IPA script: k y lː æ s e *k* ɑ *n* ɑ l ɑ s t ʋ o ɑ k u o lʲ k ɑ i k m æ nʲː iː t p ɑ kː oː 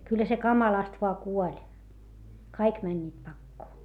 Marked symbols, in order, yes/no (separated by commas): yes, no